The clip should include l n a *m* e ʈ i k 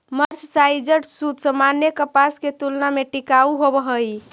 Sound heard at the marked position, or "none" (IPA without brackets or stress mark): m